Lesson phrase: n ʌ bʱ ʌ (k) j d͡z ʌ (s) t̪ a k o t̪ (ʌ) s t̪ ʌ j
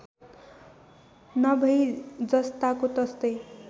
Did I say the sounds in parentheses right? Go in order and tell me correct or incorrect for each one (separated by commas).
incorrect, correct, correct